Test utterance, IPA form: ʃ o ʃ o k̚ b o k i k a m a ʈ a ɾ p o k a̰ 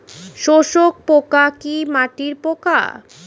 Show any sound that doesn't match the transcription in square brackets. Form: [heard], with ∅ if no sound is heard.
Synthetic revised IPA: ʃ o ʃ o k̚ [p] o k [a] k [i] m a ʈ [i] ɾ p o k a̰

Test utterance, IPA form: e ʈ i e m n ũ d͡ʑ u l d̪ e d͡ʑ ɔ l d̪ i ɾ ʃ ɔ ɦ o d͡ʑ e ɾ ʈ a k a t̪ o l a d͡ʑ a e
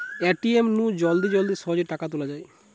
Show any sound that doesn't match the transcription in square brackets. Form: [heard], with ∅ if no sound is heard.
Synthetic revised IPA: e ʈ i e m n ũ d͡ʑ [ɔ] l d̪ [i] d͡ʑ ɔ l d̪ i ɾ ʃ ɔ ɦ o d͡ʑ e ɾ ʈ a k a t̪ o l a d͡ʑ a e

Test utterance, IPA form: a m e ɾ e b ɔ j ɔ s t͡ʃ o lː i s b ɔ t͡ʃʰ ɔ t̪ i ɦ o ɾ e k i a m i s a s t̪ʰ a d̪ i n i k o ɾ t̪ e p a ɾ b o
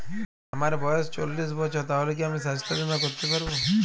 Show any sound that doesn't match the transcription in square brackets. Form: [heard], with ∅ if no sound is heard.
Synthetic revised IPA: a m [a] ɾ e b ɔ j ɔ s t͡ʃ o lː i s b ɔ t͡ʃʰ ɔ t̪ [a] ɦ o [l] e k i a m i s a s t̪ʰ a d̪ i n [a] k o ɾ t̪ e p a ɾ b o

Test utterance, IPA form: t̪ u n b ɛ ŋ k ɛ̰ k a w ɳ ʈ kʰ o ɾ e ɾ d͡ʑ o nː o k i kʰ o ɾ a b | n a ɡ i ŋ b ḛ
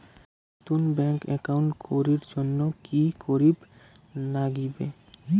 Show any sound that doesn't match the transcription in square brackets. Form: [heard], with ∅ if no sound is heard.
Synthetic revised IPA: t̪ u n b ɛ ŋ k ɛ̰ k a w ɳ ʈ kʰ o ɾ [i] ɾ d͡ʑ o nː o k i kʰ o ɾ [i] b | n a ɡ i [∅] b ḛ

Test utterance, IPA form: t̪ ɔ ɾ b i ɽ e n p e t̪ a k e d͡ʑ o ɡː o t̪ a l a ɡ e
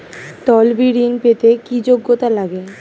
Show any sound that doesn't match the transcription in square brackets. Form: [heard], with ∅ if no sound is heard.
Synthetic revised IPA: t̪ ɔ [l] b i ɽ [i] n p e t̪ [e] k [i] d͡ʑ o ɡː o t̪ a l a ɡ e

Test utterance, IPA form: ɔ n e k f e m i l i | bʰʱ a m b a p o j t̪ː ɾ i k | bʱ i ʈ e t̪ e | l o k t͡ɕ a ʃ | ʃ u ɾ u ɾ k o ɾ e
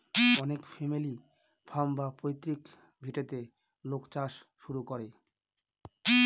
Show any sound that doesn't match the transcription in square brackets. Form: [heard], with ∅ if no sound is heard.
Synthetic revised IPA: ɔ n e k f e m i l i | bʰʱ a m b a p o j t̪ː ɾ i k | bʱ i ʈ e t̪ e | l o k t͡ɕ a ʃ | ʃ u ɾ u [∅] k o ɾ e

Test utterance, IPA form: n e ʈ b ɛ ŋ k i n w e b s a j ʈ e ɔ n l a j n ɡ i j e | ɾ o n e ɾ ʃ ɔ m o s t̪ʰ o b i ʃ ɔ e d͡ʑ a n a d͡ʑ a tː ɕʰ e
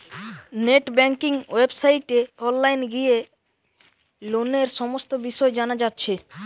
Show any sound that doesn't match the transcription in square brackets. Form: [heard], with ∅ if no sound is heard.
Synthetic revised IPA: n e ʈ b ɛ ŋ k i [ŋ] w e b s a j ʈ e ɔ n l a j n ɡ i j e | [l] o n e ɾ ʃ ɔ m o s [t̪] o b i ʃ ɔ e d͡ʑ a n a d͡ʑ a tː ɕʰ e

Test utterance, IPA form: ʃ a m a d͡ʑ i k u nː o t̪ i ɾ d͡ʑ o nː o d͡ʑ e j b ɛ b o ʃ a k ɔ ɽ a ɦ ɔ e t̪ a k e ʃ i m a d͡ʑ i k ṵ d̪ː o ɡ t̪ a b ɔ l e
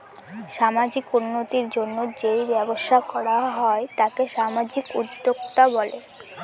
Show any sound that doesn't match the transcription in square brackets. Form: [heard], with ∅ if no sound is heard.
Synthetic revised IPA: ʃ a m a d͡ʑ i k u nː o t̪ i ɾ d͡ʑ o nː o d͡ʑ e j b ɛ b o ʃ a k ɔ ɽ a ɦ ɔ e t̪ a k e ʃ [a] m a d͡ʑ i k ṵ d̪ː o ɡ t̪ a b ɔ l e

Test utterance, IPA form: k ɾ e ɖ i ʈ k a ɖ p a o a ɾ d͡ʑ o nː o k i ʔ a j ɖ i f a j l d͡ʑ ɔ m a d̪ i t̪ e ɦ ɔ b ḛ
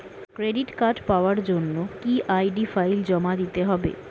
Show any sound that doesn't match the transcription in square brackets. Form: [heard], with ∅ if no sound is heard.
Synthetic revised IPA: k ɾ e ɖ i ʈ k a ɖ p a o a ɾ d͡ʑ o nː o k i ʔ a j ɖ i f a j l d͡ʑ ɔ m a d̪ i t̪ e ɦ ɔ b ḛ

